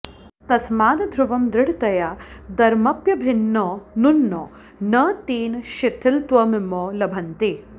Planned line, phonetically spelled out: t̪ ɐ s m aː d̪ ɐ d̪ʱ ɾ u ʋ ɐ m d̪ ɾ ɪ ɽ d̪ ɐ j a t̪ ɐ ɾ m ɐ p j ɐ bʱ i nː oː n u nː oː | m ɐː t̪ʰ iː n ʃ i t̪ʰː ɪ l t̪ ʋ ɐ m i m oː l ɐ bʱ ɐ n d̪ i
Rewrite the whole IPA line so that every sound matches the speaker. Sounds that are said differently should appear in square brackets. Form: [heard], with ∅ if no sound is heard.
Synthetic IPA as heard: t̪ ɐ s m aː d̪ ɐ d̪ʱ ɾ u ʋ ɐ m d̪ ɾ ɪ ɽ [t̪] ɐ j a [d̪] ɐ ɾ m ɐ p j ɐ bʱ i nː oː n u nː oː | [n] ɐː [t̪] iː n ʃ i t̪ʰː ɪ l t̪ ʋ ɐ m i m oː l ɐ bʱ ɐ n [t̪] i